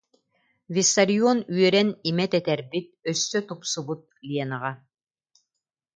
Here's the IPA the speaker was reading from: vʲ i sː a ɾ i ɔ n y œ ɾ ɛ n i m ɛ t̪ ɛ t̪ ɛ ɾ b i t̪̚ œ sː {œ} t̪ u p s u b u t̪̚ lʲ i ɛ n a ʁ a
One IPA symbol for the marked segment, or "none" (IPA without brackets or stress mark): œ